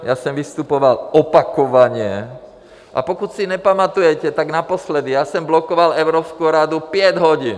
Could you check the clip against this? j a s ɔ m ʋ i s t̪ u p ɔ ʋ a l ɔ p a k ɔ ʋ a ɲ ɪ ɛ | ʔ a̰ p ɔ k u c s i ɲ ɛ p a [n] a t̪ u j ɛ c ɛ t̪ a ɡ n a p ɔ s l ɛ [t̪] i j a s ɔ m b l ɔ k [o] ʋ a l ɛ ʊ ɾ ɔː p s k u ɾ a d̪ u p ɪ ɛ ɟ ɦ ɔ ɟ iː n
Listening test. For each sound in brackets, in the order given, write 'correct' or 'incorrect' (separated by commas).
incorrect, incorrect, incorrect